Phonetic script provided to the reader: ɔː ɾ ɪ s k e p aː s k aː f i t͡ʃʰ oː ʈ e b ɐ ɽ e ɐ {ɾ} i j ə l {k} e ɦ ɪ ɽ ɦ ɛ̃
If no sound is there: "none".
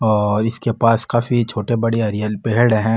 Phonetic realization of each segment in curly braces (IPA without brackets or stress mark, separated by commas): ɾ, p